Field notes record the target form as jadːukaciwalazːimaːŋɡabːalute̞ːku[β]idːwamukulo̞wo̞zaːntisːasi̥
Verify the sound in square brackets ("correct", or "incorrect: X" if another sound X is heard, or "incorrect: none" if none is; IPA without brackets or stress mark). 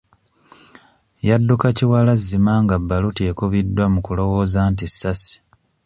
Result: correct